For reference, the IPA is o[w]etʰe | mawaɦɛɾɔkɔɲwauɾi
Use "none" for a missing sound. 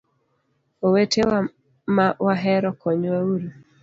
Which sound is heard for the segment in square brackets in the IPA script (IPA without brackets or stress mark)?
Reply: w